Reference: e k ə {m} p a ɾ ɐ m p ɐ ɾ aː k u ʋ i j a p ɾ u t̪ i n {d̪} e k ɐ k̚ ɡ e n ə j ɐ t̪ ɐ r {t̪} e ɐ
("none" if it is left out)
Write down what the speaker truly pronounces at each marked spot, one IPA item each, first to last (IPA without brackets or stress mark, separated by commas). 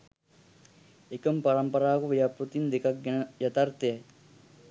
m, d̪, t̪